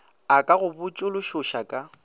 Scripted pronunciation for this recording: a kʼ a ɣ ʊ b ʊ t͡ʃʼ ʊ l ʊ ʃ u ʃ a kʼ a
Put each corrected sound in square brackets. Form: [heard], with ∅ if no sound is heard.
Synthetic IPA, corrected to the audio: a kʼ a ɣ ʊ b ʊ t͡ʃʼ ʊ l ʊ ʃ [ʊ] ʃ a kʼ a